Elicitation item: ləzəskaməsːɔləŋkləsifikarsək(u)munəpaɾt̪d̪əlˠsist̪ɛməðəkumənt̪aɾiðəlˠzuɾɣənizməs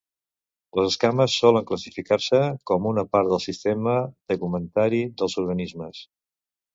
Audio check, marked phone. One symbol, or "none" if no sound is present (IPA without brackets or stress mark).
ɔ